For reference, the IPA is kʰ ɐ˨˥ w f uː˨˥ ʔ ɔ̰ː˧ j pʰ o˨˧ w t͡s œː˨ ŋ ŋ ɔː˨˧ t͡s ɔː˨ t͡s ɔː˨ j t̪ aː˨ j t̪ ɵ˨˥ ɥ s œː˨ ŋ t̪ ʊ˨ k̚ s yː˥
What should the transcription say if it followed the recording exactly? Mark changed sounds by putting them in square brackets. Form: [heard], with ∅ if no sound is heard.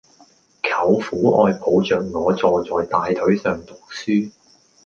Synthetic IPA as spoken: kʰ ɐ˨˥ w f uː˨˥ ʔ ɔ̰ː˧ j pʰ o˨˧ w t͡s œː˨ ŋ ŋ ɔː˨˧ t͡s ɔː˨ t͡s ɔː˨ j t̪ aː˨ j [t̪ʰ] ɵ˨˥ ɥ s œː˨ ŋ t̪ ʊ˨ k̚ s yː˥